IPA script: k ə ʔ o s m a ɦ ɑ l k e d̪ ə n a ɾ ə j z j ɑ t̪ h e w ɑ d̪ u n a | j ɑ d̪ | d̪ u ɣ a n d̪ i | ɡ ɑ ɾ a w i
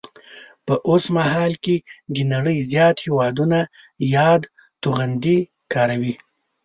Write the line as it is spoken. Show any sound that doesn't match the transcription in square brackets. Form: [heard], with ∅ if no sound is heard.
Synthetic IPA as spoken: [p] ə ʔ o s m a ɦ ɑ l k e d̪ ə n a [ɽ] ə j z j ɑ t̪ h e w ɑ d̪ u n a | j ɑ d̪ | [t̪] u ɣ a n d̪ i | [k] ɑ ɾ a w i